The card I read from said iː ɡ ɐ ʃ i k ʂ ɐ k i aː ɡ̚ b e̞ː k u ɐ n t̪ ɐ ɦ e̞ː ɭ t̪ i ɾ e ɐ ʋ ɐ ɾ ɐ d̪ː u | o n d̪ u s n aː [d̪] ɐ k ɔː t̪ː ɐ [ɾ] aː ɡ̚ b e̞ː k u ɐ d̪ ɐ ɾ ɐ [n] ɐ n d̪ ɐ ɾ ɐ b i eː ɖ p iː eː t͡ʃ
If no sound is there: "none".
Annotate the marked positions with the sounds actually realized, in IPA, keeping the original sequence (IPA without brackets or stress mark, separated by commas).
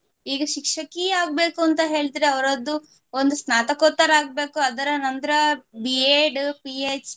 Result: t̪, ɾ, n